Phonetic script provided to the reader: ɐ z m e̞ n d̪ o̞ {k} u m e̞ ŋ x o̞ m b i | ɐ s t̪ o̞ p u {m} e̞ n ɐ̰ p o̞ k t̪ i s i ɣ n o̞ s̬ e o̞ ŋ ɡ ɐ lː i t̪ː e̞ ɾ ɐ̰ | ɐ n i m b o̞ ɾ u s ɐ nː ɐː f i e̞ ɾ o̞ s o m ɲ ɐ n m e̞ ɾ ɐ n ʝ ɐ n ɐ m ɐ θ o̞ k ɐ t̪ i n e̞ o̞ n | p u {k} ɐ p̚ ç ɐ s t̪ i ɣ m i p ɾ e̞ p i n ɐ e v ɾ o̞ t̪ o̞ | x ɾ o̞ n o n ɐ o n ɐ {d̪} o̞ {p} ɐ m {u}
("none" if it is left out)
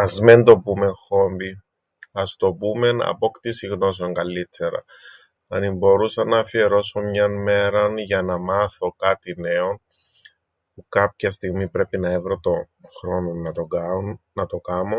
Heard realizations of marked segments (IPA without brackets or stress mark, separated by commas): p, m, k, t̪, k, o